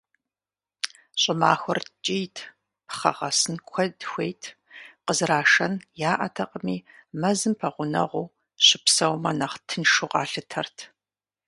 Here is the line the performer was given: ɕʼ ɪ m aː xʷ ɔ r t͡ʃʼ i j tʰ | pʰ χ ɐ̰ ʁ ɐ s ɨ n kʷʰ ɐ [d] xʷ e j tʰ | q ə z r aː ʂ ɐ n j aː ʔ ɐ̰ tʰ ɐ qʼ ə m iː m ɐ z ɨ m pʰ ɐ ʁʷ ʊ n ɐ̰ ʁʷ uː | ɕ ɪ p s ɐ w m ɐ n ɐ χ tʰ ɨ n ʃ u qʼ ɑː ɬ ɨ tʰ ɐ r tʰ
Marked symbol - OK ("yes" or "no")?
yes